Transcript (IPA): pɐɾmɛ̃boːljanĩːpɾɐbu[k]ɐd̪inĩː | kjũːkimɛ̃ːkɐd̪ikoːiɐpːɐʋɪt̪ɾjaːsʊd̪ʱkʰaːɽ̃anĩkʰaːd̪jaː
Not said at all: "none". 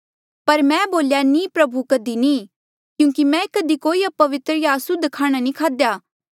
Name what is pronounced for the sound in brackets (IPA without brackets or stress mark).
k